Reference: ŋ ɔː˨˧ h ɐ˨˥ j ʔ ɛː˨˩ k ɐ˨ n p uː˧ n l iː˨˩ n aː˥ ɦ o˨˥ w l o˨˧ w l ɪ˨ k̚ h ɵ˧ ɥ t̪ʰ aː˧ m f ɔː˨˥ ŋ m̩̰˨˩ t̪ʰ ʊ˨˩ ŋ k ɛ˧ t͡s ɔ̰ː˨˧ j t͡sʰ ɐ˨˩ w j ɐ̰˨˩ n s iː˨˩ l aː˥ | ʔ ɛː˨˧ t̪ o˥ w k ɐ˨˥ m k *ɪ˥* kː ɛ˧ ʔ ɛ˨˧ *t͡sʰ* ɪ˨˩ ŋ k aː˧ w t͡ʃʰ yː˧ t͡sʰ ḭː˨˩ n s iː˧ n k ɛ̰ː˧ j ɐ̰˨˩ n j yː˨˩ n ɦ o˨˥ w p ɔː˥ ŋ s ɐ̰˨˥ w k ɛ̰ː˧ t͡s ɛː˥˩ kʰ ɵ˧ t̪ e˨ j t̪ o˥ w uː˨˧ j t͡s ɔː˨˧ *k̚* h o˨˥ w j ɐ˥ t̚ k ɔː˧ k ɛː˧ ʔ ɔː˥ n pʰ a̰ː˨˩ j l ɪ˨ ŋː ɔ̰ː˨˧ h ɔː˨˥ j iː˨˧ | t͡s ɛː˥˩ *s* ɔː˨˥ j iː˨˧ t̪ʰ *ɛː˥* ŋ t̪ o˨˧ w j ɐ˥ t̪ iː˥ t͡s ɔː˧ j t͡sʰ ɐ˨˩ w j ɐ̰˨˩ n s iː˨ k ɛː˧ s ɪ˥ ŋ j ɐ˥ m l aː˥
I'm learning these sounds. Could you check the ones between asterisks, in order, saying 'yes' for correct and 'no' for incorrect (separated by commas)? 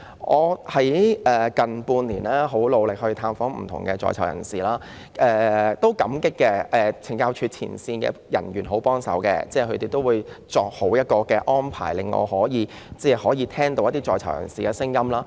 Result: yes, yes, yes, no, yes